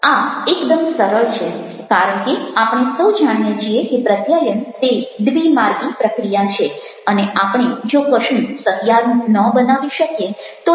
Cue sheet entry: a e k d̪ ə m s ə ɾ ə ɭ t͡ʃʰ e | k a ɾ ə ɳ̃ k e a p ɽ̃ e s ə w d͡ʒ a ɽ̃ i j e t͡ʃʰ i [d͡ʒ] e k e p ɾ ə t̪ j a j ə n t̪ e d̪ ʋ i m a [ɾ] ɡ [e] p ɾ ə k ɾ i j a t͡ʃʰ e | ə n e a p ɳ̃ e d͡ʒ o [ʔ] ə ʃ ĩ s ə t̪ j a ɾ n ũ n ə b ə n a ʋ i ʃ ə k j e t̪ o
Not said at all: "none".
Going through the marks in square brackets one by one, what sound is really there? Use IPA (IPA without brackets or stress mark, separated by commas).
none, ɾ, i, k